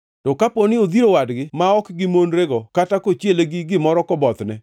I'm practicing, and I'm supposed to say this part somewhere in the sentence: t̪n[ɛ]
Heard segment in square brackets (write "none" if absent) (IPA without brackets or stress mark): ɛ